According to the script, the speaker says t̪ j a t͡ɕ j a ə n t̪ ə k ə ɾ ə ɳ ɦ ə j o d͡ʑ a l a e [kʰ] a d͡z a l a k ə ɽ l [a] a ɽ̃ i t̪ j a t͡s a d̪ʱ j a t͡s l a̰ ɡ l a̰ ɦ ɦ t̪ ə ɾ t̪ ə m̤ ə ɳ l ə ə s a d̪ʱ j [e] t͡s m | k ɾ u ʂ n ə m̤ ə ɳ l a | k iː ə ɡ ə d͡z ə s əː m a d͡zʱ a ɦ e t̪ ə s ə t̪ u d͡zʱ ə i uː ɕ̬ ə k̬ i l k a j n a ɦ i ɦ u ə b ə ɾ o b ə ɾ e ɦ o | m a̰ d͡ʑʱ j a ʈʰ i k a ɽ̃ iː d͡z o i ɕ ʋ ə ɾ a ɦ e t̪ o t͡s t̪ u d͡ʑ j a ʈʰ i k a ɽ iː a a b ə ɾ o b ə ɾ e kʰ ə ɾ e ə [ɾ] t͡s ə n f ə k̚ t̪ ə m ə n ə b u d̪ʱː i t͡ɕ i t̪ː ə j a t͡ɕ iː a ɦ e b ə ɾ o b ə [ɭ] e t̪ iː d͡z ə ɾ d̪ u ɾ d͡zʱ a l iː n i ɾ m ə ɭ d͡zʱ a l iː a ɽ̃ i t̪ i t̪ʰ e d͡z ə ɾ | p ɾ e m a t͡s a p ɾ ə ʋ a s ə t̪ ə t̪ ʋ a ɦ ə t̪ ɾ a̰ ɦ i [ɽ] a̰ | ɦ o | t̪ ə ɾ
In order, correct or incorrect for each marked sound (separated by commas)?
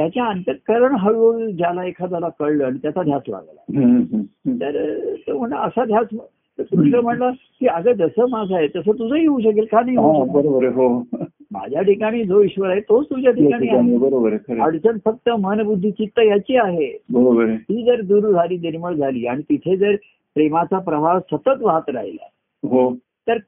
correct, incorrect, incorrect, incorrect, incorrect, incorrect